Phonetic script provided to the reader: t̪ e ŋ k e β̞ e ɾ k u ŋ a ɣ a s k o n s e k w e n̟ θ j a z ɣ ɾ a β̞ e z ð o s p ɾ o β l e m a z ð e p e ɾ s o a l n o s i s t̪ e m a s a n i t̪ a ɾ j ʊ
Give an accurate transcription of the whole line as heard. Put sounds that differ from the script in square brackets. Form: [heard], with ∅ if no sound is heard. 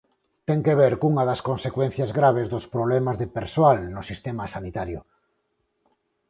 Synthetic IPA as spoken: t̪ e ŋ k e β̞ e ɾ k u ŋ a [ð] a s k o n s e k w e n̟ θ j a z ɣ ɾ a β̞ e z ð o s p ɾ o β l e m a z ð e p e ɾ s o a l n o s i s t̪ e m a s a n i t̪ a ɾ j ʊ